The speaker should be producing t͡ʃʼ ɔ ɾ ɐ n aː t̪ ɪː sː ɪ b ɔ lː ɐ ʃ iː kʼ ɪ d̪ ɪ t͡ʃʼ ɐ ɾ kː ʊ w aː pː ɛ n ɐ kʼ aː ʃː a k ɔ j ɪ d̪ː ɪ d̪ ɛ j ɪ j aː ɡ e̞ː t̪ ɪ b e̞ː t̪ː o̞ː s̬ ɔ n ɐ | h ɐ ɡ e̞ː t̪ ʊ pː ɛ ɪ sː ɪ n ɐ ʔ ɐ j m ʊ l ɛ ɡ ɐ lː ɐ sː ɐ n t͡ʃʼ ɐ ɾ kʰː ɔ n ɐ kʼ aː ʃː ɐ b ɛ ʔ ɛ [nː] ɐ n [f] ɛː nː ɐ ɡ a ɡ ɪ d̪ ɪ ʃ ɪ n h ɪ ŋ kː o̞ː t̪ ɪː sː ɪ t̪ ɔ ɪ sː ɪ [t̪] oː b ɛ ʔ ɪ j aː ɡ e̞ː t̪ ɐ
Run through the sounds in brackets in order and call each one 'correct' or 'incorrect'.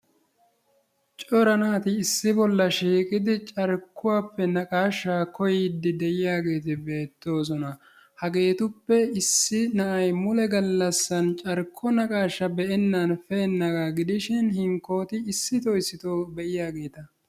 correct, correct, correct

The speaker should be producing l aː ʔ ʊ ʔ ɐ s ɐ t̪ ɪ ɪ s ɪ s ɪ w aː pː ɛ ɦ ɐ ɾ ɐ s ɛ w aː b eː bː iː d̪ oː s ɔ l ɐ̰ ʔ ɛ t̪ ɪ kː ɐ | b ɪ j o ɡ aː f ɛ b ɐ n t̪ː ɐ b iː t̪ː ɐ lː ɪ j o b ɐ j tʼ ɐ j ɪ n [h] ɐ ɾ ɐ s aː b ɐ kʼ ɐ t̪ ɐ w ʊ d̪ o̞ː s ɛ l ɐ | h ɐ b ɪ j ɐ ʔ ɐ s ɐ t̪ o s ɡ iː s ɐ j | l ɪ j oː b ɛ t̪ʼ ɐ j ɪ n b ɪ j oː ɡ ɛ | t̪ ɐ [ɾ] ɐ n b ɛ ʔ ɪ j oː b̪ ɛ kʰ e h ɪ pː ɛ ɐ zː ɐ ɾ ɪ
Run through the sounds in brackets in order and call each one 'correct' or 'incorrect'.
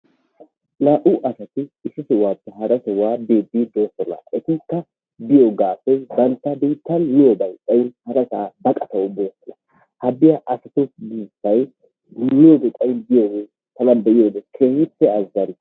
correct, incorrect

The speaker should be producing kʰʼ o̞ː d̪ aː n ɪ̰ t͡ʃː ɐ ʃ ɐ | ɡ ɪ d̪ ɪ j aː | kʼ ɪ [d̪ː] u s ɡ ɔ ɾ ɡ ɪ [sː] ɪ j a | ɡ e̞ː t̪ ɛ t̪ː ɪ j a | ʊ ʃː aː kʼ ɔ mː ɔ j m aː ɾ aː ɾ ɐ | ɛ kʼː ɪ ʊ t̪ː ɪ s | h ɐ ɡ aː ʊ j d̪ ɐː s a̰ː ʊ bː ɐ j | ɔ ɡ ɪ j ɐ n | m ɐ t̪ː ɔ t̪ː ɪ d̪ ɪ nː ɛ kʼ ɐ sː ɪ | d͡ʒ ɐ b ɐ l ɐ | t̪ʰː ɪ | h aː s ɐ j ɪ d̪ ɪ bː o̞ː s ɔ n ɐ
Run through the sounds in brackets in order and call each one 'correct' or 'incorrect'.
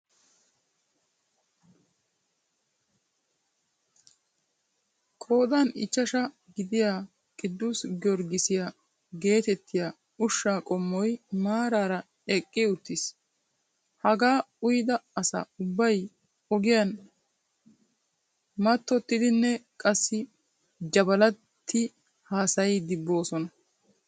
correct, incorrect

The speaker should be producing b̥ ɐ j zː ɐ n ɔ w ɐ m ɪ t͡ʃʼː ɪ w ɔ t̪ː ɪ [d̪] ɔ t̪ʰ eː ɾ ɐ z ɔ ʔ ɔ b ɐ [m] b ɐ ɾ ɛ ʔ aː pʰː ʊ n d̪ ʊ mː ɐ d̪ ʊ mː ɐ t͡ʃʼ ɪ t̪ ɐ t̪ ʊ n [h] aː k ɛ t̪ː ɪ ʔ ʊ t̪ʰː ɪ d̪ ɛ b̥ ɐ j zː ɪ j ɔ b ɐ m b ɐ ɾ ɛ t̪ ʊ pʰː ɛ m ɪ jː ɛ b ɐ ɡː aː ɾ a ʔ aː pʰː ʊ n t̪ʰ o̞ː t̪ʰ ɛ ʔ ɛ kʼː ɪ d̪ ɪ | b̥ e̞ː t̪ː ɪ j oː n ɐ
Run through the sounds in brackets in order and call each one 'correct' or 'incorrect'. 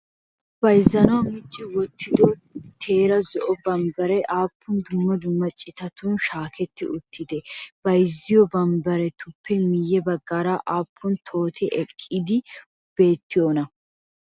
correct, correct, incorrect

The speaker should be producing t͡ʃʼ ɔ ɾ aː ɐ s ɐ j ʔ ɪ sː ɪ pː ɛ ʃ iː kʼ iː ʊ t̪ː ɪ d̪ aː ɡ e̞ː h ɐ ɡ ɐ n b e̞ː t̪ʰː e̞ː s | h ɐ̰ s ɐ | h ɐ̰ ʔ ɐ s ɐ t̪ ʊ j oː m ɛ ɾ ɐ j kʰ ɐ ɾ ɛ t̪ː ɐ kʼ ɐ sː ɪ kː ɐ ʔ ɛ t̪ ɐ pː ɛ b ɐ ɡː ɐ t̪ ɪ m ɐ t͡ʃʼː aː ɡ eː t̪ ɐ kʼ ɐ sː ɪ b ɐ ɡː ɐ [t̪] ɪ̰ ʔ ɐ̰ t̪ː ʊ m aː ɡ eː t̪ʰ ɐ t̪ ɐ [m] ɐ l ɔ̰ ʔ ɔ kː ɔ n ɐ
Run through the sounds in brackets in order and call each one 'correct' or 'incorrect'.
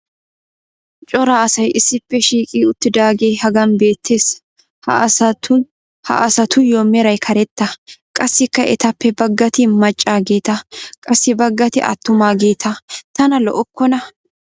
correct, incorrect

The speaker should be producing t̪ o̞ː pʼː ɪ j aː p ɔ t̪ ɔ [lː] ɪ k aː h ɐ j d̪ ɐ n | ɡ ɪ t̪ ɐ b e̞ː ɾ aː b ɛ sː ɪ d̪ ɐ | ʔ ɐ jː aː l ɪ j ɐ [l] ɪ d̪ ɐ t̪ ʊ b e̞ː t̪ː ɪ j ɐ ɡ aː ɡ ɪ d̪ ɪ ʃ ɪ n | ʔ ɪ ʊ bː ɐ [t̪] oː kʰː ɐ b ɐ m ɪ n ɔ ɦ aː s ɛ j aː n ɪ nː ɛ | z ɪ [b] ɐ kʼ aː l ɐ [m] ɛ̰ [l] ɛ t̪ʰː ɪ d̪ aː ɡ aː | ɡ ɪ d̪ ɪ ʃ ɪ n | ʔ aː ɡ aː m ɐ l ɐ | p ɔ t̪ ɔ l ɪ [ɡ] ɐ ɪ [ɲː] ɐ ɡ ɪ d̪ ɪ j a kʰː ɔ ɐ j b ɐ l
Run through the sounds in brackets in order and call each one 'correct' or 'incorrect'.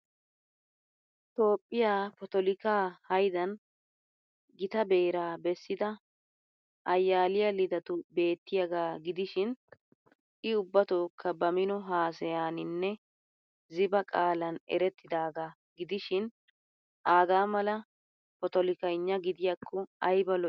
incorrect, correct, correct, correct, incorrect, incorrect, incorrect, correct

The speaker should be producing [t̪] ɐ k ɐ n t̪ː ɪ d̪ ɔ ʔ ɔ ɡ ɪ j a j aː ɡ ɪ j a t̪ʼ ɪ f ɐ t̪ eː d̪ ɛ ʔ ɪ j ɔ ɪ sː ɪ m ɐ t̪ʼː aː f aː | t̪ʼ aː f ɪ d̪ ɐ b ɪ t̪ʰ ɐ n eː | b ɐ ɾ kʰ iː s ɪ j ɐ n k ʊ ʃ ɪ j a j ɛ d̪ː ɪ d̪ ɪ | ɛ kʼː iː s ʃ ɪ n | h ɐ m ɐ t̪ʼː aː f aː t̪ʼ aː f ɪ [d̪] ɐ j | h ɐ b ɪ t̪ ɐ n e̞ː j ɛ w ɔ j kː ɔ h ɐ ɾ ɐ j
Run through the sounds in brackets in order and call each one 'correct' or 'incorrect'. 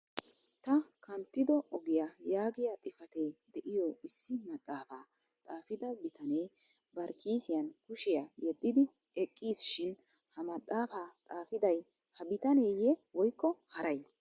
correct, correct

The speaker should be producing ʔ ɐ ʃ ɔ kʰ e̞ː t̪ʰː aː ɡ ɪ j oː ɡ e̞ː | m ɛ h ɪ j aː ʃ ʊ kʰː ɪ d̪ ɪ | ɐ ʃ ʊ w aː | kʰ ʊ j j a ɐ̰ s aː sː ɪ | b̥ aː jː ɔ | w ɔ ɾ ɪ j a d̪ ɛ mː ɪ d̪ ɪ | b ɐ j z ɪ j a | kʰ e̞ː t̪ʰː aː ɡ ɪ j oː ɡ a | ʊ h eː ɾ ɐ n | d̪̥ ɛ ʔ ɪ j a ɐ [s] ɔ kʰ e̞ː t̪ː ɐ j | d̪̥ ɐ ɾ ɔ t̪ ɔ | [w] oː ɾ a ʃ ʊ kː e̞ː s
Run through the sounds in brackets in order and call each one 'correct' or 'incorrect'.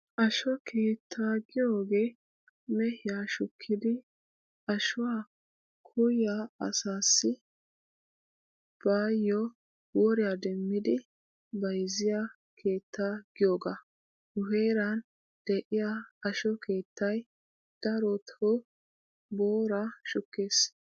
incorrect, incorrect

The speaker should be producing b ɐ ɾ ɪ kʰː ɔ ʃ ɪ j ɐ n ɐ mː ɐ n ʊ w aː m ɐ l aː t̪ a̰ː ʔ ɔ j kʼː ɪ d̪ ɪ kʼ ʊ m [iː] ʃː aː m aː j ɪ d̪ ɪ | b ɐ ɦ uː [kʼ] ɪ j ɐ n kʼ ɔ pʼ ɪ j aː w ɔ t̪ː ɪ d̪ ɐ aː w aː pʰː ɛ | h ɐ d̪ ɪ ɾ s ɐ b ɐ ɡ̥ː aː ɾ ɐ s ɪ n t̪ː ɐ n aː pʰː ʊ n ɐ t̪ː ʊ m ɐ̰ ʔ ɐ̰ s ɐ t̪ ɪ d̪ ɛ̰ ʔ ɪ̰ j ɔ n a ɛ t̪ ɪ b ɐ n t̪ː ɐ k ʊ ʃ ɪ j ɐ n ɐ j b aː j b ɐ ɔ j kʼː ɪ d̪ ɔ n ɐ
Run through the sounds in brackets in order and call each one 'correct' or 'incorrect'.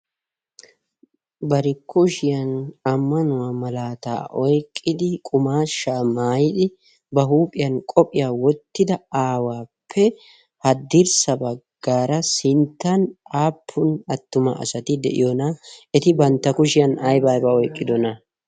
incorrect, incorrect

